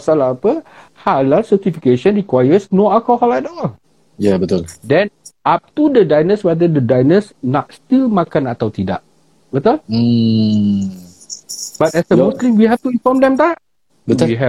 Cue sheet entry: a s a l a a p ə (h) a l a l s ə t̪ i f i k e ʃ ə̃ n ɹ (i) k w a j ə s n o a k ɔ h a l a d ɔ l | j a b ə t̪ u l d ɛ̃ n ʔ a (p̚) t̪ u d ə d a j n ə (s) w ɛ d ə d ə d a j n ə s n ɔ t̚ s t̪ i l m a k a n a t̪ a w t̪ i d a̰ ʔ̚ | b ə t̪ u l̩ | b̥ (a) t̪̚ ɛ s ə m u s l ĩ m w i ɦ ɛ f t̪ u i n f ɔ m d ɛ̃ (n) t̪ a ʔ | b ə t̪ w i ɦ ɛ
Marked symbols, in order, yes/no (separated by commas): yes, yes, yes, yes, yes, no